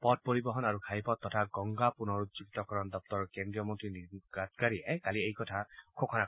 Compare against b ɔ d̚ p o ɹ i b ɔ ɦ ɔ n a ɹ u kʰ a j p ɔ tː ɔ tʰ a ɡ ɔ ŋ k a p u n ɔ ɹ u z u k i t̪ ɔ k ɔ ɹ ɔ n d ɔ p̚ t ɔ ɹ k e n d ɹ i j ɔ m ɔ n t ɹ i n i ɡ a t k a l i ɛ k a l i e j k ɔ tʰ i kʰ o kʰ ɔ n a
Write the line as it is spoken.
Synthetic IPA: p ɔ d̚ p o ɹ i b ɔ ɦ ɔ n a ɹ u kʰ a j p ɔ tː ɔ tʰ a ɡ ɔ ŋ ɡ a p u n ɔ ɹ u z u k i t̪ ɔ k ɔ ɹ ɔ n d ɔ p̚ t ɔ ɹ k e n d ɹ i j ɔ m ɔ n t ɹ i n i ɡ a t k a ɹ i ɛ k a l i e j k ɔ tʰ a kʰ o kʰ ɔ n a